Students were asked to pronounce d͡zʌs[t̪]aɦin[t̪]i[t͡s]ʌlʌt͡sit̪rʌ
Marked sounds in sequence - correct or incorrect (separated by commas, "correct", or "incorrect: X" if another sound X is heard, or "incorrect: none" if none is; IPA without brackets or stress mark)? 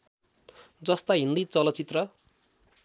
correct, incorrect: d̪, correct